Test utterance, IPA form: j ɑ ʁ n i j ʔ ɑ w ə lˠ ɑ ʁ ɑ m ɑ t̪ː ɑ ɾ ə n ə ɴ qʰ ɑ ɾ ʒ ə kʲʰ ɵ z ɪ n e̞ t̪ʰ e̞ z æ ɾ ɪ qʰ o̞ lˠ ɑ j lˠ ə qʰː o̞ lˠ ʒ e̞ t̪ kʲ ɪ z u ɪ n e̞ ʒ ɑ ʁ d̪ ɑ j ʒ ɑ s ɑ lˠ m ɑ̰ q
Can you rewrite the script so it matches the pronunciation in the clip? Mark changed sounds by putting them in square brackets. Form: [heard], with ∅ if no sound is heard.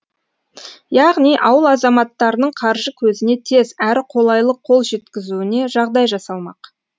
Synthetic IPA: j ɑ ʁ n i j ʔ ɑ w ə lˠ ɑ [z] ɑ m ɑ t̪ː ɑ ɾ ə n ə ɴ qʰ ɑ ɾ ʒ ə kʲʰ ɵ z ɪ n e̞ t̪ʰ e̞ z æ ɾ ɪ qʰ o̞ lˠ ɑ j lˠ ə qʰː o̞ lˠ ʒ e̞ t̪ kʲ ɪ z u ɪ n e̞ ʒ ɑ ʁ d̪ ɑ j ʒ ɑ s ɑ lˠ m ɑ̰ q